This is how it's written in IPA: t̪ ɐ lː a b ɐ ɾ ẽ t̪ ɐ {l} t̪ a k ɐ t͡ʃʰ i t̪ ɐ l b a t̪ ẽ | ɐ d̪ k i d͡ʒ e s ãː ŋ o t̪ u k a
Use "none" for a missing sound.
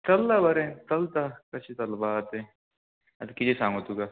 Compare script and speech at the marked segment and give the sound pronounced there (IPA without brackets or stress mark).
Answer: l